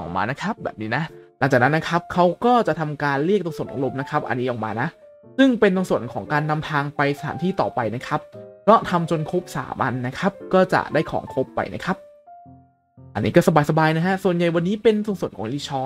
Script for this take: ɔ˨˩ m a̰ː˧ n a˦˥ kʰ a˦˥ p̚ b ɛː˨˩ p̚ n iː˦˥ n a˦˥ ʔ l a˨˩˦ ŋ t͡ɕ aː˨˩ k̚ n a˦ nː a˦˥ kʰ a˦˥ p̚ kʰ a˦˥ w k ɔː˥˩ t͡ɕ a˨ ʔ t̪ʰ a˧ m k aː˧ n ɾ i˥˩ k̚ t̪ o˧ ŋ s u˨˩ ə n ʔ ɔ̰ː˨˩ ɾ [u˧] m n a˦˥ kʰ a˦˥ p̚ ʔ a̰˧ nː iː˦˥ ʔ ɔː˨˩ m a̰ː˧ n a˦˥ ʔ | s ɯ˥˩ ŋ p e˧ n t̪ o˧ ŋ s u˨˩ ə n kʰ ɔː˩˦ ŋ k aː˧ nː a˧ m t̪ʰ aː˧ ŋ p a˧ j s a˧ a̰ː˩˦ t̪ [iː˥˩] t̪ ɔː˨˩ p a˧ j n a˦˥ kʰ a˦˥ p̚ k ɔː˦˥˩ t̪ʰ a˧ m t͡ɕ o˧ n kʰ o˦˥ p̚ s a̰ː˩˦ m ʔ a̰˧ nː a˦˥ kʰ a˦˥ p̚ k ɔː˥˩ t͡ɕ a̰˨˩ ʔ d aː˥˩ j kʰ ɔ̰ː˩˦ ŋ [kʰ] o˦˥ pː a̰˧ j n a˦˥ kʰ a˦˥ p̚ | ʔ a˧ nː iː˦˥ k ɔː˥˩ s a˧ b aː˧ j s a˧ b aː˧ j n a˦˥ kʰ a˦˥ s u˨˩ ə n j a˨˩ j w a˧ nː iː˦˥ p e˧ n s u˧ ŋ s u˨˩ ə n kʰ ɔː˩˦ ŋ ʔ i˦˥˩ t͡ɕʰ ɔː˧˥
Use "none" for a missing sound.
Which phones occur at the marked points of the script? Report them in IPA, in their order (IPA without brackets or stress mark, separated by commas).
o˧, iː˥˩, kʰ